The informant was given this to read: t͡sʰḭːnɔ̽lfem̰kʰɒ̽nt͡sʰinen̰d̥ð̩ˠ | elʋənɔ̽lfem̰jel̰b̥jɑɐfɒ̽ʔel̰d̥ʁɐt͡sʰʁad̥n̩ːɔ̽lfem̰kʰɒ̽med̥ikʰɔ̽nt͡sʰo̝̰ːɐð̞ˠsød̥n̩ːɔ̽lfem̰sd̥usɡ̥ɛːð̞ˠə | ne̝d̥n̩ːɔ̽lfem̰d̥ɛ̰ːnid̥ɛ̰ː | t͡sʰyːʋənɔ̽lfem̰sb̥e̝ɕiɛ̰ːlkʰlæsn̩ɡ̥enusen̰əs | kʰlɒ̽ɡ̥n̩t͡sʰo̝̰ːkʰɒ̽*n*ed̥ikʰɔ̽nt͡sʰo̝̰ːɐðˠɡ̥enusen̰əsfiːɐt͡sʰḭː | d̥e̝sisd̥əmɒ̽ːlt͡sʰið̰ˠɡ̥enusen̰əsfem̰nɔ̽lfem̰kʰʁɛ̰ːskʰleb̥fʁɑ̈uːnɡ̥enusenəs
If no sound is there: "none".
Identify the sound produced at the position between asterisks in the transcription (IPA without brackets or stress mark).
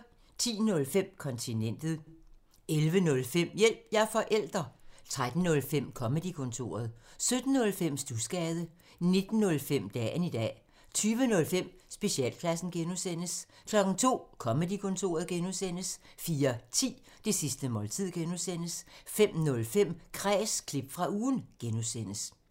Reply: m